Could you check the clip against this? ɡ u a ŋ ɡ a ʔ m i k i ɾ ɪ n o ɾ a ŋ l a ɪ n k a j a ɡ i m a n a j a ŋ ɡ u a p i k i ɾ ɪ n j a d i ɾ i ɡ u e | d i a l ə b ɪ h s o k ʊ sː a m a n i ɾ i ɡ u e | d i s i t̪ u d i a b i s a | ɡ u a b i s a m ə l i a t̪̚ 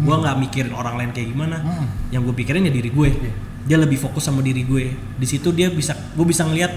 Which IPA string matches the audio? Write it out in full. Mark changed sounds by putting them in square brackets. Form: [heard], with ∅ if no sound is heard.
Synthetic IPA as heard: ɡ u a ŋ ɡ a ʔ m i k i ɾ ɪ n o ɾ a ŋ l a ɪ n k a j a ɡ i m a n a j a ŋ ɡ u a p i k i ɾ ɪ n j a d i ɾ i ɡ u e | d i a l ə b ɪ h [f] o k ʊ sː a m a [d] i ɾ i ɡ u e | d i s i t̪ u d i a b i s a | ɡ u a b i s a [ŋ] ə l i a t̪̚